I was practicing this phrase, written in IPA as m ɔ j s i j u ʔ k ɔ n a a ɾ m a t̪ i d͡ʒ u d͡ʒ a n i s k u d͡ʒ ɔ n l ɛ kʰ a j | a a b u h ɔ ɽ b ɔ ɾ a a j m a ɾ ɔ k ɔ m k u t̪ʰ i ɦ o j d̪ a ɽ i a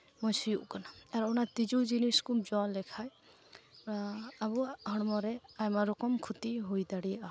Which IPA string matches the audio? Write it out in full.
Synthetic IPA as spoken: m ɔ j s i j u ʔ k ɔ n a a ɾ n a t̪ i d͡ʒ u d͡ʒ i n i s k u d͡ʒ ɔ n l ɛ kʰ a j | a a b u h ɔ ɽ m ɔ ɾ ɛ a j m a ɾ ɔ k ɔ m kʰ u t̪ i ɦ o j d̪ a ɽ i a